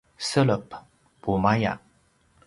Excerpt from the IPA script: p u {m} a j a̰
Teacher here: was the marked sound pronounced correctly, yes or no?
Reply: yes